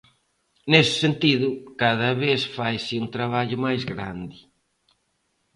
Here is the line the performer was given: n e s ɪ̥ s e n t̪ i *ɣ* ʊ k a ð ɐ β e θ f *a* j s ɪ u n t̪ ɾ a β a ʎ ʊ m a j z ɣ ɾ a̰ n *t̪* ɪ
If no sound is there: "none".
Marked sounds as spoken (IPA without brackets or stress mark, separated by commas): ð, a, d̪